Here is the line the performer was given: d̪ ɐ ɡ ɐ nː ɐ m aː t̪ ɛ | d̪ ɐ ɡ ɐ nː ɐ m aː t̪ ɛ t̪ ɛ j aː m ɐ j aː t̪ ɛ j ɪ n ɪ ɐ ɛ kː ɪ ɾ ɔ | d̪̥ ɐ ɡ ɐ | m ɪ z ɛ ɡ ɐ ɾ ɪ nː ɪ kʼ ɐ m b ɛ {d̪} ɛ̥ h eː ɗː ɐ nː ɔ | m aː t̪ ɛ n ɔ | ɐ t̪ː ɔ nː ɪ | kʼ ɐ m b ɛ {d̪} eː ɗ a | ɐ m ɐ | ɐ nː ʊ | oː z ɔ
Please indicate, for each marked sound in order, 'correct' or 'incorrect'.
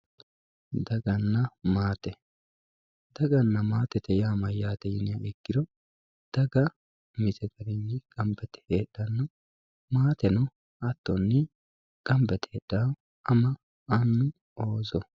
incorrect: t̪, incorrect: t̪

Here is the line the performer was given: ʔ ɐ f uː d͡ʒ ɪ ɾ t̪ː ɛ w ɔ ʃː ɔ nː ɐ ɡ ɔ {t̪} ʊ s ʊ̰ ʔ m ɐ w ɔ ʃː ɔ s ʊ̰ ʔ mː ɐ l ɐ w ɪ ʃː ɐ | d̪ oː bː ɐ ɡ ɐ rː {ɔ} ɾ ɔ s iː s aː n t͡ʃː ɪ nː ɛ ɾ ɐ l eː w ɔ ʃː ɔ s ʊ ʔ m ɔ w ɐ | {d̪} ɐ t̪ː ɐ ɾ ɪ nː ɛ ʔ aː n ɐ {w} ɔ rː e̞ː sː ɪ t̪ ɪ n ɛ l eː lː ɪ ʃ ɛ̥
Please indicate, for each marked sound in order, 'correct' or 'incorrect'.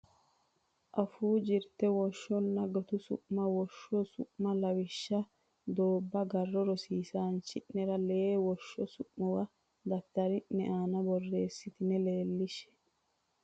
correct, correct, correct, incorrect: b

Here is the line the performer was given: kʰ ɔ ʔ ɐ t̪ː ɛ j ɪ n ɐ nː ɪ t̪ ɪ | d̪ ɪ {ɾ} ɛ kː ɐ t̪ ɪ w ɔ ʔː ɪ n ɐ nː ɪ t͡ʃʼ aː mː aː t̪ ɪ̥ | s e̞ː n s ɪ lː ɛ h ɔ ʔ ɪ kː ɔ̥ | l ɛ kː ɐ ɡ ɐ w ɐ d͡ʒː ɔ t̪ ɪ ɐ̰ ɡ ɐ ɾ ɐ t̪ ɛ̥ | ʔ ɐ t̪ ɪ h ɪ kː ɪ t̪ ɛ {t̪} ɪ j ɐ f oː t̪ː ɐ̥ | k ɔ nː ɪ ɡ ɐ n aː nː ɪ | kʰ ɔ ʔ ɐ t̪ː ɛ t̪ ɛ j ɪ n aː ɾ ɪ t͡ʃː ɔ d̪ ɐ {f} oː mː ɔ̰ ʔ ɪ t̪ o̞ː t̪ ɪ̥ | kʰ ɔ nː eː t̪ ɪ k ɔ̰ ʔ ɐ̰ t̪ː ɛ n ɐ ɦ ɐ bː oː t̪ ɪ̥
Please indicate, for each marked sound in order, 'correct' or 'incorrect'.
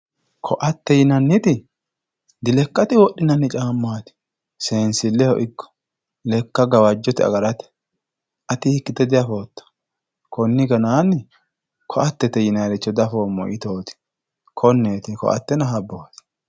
incorrect: l, incorrect: d̪, correct

